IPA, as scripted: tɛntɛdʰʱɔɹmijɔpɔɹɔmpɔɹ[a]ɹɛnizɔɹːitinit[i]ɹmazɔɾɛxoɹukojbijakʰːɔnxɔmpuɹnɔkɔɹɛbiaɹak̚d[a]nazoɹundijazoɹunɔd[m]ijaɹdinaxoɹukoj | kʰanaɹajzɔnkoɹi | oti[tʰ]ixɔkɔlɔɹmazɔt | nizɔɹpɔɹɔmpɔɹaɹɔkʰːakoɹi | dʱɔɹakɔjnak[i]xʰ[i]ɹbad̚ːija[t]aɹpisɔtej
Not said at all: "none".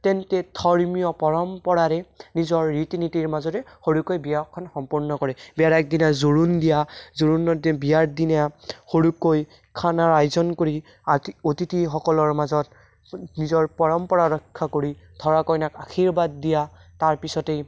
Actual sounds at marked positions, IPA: a, i, i, b, t, a, i, t

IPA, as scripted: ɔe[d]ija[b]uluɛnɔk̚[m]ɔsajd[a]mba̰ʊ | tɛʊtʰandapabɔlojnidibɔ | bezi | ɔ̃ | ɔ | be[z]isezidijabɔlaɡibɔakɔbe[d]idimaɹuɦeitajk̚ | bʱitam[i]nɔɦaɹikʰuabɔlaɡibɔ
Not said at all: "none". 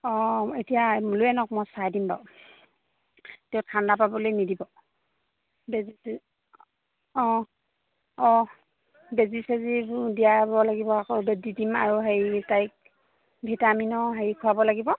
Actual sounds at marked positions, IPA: t, m, m, i, z, d, i

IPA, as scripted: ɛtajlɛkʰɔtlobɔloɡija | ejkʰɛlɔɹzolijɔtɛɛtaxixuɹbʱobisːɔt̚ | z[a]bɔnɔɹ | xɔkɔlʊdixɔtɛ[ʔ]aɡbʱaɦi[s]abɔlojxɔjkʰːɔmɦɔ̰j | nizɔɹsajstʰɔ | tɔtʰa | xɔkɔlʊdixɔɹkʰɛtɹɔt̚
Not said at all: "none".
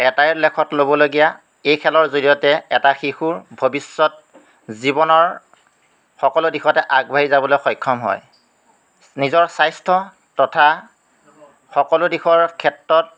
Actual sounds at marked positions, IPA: i, ʔ, z

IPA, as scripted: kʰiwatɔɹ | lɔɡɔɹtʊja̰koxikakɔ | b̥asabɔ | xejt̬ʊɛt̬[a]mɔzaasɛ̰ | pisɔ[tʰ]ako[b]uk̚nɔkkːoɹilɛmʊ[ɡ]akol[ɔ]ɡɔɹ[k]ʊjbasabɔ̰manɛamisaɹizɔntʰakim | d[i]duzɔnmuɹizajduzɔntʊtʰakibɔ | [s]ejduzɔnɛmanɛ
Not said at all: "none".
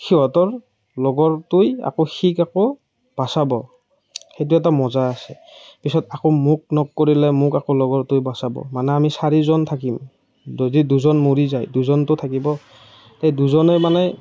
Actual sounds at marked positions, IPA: a, t, m, k, ɔ, t, i, t

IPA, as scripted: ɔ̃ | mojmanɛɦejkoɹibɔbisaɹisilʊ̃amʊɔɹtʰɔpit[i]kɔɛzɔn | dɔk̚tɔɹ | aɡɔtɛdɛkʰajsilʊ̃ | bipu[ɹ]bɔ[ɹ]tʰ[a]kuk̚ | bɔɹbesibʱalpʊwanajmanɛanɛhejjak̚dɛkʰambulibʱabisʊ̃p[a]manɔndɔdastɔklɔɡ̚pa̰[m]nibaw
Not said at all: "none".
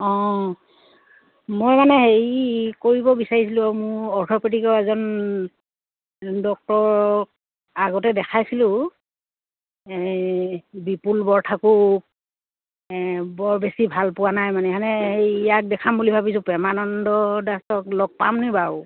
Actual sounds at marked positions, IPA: i, l, ɹ, a, ɛ, m

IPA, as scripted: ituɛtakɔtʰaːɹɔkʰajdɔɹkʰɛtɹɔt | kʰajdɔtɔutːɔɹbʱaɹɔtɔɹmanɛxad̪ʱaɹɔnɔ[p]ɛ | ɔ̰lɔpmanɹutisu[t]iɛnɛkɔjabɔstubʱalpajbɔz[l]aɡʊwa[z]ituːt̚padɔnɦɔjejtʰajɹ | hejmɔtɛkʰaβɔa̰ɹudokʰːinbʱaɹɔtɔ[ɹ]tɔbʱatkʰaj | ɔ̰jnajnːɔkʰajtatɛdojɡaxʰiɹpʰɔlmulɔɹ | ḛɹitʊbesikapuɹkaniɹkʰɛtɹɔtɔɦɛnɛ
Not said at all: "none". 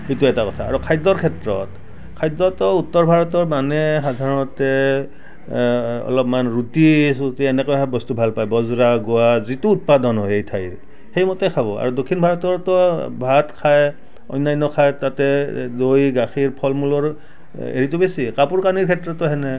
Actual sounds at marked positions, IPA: t, t, ɹ, z, ɹ

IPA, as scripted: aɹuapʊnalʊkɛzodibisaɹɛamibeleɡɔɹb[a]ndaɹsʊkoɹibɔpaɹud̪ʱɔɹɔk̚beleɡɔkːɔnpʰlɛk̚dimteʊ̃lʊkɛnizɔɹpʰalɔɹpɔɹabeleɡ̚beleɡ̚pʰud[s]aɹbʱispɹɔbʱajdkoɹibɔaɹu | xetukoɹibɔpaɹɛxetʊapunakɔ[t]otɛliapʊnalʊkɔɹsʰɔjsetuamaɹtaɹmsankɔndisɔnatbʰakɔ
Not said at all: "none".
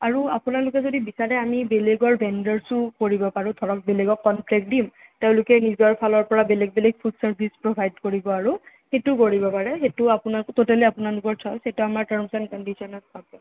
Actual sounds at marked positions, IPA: ɛ, s, t

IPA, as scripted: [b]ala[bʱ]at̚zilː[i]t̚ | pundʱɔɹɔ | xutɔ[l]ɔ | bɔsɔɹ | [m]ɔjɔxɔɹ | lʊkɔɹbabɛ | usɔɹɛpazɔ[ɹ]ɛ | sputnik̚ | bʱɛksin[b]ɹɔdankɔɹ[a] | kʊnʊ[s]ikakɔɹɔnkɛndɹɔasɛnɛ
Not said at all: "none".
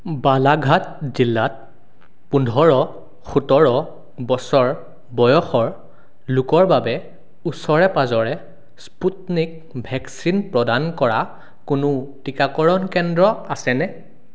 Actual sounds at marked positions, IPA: b, ɡʱ, a, ɹ, b, ɹ, p, a, t

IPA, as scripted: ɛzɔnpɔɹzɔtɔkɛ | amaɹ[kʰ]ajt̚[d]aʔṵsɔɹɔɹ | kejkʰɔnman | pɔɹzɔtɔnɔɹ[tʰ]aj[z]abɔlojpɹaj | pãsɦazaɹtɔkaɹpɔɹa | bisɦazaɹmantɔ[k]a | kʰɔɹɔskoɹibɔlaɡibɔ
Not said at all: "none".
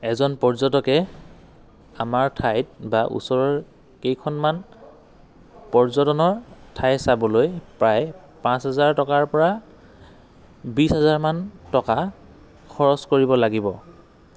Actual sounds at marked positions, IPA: tʰ, b, tʰ, s, k

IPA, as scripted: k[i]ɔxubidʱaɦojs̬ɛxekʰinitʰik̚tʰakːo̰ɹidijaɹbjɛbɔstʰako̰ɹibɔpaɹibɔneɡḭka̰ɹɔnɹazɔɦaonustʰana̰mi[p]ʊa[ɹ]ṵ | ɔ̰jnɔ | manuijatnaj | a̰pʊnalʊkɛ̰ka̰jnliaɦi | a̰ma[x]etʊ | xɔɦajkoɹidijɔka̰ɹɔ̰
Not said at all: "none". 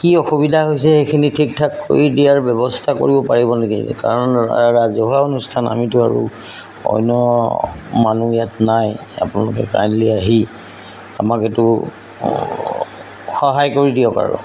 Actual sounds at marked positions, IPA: i, t, ɹ, k

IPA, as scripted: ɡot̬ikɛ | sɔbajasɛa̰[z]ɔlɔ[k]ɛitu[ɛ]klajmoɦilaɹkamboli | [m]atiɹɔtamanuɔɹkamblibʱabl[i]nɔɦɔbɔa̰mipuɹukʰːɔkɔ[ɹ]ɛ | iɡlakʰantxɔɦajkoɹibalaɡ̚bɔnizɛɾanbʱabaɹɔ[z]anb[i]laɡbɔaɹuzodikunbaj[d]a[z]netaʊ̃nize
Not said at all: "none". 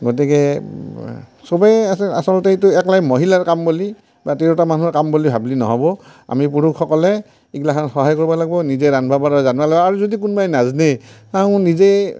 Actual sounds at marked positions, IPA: s, t, ɛ, b, i, l, z, a, n, z

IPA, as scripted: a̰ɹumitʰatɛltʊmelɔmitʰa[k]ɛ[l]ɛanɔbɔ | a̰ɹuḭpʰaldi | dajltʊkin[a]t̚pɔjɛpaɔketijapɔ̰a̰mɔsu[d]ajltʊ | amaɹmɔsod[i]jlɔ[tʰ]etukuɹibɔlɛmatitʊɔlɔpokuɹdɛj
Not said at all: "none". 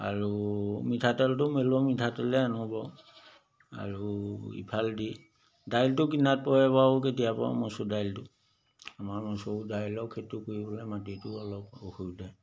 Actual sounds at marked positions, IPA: t, l, a, d, a, kʰ

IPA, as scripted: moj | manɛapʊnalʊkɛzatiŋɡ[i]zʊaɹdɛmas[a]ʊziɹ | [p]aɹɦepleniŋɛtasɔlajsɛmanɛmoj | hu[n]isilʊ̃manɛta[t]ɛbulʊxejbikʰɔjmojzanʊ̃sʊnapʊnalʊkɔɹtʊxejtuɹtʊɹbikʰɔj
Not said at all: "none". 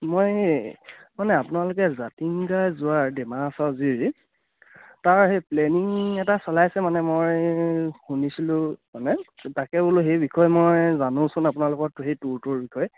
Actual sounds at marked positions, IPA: a, a, t, n, k

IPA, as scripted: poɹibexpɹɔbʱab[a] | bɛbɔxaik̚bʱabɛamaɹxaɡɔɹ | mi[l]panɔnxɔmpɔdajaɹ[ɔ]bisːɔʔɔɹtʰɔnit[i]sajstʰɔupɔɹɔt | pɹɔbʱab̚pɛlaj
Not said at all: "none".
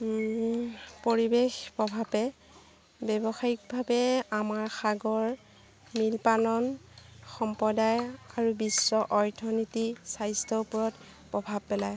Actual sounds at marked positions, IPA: ɛ, l, u, i

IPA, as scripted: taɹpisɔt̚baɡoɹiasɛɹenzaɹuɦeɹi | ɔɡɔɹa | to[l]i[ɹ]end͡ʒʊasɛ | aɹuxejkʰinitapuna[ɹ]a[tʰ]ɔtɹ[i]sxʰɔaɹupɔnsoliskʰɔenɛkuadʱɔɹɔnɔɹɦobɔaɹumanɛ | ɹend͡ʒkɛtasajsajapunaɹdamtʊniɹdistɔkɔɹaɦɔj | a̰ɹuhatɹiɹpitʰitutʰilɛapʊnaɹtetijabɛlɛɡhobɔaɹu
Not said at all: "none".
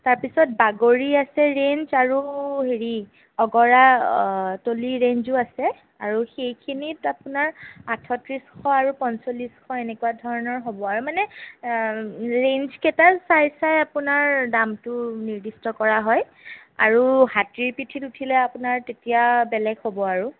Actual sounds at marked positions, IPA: l, ɹ, ɹ, tʰ, i

